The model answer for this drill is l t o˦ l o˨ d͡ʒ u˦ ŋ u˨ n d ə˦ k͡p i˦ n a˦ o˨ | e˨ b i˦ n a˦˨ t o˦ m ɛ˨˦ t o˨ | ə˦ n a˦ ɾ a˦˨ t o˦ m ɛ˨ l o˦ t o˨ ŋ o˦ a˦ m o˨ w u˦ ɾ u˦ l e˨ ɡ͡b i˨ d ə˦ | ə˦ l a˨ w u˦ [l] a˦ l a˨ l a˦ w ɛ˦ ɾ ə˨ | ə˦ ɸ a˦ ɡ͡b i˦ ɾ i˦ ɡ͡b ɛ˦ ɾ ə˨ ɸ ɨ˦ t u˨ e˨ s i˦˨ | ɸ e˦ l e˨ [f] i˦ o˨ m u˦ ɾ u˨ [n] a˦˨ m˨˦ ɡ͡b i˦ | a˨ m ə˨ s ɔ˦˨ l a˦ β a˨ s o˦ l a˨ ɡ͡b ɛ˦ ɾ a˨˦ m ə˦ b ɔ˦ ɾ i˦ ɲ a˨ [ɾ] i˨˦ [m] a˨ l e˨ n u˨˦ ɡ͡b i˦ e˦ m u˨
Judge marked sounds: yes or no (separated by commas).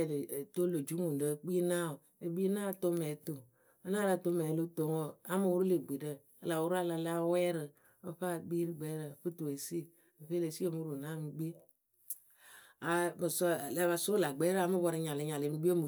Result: no, no, yes, no, no